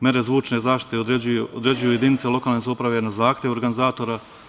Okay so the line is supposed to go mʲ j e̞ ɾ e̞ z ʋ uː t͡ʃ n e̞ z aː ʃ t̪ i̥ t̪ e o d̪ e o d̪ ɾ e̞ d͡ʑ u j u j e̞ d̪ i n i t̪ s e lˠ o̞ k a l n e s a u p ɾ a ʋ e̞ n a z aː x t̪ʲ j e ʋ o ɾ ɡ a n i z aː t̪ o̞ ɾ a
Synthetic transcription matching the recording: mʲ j e̞ ɾ e̞ z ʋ uː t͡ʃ n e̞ z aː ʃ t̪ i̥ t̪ e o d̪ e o d̪ ɾ e̞ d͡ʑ u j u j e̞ d̪ i n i t̪ s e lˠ o̞ k a l n e s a u p ɾ a ʋ e̞ n a z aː x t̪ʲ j e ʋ o ɾ ɡ a n i z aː t̪ o̞ ɾ a